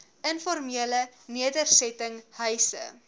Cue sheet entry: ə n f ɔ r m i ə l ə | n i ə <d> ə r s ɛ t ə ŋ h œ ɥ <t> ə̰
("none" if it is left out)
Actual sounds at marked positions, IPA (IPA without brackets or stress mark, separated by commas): d, s